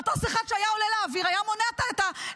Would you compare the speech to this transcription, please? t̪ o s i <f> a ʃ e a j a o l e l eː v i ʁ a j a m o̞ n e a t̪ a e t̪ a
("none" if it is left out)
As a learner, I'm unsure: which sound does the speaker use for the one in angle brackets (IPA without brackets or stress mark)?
χ